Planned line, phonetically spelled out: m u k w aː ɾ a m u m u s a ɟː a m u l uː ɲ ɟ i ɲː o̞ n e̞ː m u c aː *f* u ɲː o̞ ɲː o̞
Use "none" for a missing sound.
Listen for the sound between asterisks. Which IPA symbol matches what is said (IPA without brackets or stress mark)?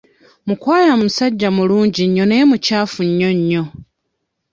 f